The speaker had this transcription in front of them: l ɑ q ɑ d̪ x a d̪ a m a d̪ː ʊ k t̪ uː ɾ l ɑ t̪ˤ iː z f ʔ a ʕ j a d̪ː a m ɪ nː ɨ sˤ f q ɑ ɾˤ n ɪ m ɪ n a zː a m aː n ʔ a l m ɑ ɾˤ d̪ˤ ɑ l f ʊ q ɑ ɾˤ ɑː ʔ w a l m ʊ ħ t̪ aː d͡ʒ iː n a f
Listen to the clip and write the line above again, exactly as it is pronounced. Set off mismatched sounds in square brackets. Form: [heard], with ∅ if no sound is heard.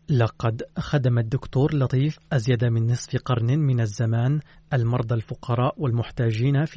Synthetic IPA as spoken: l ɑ q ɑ d̪ x a d̪ a m a d̪ː ʊ k t̪ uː ɾ l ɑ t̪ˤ iː [∅] f ʔ a [z] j a [d̪] a m ɪ nː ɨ sˤ f q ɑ ɾˤ n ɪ m ɪ n a zː a m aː n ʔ a l m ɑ ɾˤ d̪ˤ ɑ l f ʊ q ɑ ɾˤ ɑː ʔ w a l m ʊ ħ t̪ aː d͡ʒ iː n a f